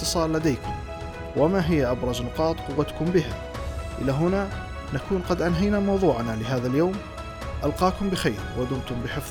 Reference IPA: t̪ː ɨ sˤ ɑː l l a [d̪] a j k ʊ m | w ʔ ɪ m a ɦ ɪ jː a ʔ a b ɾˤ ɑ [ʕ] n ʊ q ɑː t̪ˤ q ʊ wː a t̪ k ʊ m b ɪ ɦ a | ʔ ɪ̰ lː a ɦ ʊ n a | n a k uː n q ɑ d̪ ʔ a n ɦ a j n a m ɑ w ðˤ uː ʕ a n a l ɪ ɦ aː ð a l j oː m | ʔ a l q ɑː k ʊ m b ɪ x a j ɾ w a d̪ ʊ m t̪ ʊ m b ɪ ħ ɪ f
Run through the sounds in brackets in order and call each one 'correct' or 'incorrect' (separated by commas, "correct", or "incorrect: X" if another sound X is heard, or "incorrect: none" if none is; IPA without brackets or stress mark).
correct, incorrect: z